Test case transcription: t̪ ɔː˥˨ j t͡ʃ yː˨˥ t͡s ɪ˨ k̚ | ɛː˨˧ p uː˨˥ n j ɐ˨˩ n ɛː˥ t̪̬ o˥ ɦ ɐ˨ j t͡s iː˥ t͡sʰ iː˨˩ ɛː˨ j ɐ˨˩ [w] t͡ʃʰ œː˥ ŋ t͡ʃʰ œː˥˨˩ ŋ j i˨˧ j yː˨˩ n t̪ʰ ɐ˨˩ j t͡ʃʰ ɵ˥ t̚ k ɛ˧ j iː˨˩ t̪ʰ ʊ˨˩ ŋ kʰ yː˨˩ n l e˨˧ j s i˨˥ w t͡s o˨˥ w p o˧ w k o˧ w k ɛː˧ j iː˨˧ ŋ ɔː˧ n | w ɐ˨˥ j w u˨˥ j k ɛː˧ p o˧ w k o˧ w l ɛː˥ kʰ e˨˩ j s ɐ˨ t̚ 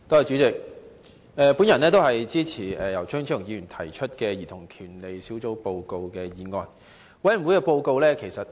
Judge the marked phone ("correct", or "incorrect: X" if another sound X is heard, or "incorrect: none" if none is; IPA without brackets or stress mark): correct